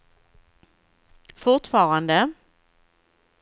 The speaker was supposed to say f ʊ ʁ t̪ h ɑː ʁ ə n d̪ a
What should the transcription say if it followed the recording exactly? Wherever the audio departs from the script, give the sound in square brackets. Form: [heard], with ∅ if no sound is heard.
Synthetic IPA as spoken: f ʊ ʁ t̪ [f] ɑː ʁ [a] n d̪ [ə]